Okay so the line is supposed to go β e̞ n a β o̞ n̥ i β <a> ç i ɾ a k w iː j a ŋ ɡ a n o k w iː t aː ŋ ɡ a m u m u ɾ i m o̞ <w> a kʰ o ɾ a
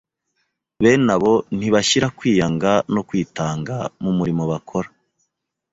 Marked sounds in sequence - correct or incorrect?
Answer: correct, incorrect: β

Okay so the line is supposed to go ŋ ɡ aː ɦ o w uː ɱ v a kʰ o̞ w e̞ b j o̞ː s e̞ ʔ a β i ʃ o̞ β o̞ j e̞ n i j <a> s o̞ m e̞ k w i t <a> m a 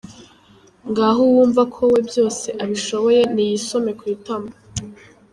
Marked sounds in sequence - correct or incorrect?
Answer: incorrect: i, correct

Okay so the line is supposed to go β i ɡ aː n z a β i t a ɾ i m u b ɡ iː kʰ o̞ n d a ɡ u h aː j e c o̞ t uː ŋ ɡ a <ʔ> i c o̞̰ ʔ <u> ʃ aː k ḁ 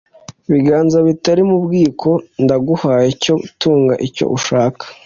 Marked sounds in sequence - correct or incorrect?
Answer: correct, correct

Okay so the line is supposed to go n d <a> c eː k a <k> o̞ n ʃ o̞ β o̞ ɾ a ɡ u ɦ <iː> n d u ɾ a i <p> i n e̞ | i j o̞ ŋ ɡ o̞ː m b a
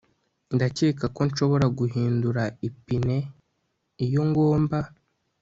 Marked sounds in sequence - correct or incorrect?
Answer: correct, correct, correct, correct

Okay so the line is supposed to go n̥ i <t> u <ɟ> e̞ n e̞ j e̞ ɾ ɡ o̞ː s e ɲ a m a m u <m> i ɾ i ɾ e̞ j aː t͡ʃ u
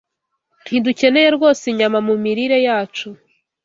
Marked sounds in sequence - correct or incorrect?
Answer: incorrect: d, incorrect: c, correct

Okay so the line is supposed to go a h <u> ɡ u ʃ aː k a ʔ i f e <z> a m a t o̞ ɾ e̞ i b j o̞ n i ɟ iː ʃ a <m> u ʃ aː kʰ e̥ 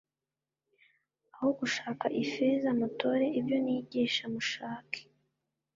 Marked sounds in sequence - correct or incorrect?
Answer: incorrect: o, correct, correct

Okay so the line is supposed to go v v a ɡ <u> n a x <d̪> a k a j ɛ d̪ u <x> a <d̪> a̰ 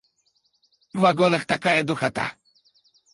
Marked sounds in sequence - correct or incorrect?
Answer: incorrect: ɔ, incorrect: t̪, correct, incorrect: t̪

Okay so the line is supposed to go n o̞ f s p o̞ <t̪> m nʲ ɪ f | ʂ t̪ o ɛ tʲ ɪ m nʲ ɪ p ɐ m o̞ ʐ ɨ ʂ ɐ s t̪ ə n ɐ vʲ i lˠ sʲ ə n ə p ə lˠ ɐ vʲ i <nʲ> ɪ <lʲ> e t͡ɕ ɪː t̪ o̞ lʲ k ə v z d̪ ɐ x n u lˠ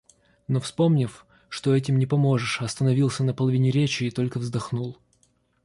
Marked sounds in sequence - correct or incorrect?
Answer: incorrect: none, correct, incorrect: ɾʲ

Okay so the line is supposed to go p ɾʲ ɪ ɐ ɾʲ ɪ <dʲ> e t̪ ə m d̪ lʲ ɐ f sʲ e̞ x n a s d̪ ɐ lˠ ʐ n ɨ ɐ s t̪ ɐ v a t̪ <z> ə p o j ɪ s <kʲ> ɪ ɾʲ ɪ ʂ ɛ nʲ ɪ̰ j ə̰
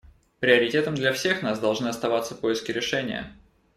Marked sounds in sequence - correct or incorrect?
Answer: incorrect: tʲ, incorrect: s, correct

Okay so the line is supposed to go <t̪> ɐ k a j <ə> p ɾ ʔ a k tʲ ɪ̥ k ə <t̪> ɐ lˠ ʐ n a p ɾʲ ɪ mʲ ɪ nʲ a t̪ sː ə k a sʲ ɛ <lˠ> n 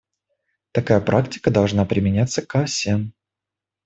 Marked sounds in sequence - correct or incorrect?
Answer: correct, correct, incorrect: d̪, incorrect: none

